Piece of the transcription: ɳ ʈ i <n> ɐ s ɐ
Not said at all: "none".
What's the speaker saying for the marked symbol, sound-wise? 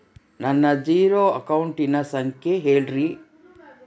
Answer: n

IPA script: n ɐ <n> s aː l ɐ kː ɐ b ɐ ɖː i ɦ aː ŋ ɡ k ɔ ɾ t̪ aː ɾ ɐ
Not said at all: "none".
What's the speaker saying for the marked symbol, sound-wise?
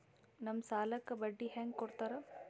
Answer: m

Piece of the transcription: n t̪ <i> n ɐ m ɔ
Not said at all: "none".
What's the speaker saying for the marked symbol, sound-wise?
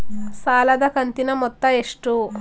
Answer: i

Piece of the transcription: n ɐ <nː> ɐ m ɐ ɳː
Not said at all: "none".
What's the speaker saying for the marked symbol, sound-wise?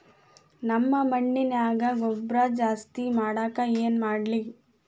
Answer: mː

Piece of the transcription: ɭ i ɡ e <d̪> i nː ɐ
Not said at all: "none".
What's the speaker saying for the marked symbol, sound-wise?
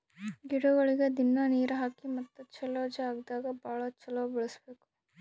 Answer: d̪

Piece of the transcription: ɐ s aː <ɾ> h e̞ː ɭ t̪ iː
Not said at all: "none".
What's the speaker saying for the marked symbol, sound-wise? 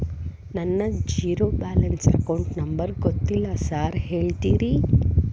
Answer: ɾ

